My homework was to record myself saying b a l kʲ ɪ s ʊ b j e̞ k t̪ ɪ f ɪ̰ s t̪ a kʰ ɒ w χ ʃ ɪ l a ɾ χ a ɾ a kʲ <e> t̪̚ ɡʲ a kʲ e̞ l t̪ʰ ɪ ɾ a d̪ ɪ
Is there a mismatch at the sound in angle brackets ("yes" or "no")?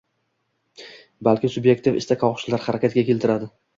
yes